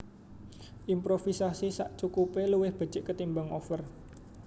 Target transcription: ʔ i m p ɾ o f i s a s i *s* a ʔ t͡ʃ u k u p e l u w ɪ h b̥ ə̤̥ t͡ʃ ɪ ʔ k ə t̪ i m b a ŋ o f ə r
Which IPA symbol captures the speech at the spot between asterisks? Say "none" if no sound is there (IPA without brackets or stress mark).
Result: s